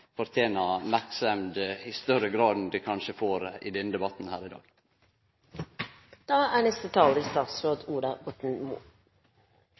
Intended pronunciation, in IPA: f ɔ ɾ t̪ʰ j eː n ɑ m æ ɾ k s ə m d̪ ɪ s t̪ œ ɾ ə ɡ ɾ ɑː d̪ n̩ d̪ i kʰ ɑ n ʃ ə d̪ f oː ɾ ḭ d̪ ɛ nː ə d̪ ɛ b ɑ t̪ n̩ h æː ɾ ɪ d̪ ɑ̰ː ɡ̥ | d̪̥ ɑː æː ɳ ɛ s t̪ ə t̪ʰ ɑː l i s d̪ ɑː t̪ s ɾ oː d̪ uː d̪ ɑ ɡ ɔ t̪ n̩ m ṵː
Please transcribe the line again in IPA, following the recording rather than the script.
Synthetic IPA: f ɔ ɾ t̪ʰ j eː n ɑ m æ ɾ k s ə m d̪ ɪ s t̪ œ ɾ ə ɡ ɾ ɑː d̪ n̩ d̪ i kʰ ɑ n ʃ ə f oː ɾ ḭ d̪ ɛ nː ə d̪ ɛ b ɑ t̪ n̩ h æː ɾ ɪ d̪ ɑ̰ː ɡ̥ | d̪̥ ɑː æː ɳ ɛ s t̪ ə t̪ʰ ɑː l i s t̪ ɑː t̪ s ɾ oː d̪ uː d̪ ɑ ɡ ɔ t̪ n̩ m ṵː